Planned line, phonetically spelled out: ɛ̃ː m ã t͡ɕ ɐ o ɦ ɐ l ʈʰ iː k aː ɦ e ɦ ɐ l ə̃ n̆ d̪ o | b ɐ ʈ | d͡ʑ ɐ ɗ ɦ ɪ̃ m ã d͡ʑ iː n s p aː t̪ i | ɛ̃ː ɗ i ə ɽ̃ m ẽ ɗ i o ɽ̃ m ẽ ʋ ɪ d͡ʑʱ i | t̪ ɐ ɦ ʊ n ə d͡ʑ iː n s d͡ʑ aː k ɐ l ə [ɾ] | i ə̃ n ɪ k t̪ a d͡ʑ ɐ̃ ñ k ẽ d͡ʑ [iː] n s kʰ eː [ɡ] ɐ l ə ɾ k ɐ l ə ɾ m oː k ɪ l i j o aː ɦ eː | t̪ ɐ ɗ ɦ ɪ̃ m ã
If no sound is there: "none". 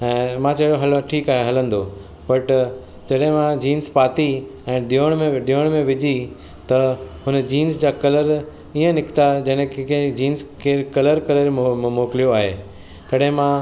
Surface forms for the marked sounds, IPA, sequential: ɾ, iː, k

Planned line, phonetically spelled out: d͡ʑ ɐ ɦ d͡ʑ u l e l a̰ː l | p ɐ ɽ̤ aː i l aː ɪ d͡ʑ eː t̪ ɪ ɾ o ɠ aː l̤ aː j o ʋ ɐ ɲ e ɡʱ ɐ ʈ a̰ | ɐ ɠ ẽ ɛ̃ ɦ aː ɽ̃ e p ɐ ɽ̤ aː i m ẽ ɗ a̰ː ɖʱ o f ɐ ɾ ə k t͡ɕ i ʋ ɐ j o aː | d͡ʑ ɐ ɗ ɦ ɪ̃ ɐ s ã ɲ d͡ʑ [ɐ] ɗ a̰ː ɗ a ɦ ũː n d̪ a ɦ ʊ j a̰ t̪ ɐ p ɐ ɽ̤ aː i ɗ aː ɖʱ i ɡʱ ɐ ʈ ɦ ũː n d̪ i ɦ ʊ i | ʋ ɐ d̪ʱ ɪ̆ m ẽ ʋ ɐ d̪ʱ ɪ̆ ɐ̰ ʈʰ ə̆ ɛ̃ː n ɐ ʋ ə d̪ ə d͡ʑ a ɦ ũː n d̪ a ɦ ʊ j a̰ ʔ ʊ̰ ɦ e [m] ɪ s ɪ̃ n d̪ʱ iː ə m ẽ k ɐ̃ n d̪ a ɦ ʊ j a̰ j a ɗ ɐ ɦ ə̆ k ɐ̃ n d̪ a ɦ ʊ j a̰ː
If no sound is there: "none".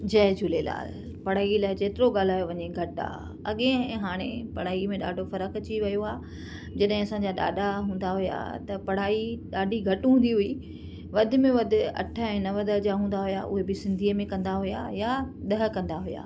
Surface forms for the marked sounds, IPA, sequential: a, b

